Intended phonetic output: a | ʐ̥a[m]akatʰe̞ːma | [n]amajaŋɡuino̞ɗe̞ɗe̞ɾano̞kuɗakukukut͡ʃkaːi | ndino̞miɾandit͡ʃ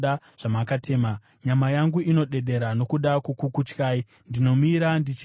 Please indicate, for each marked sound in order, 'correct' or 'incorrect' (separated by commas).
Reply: correct, incorrect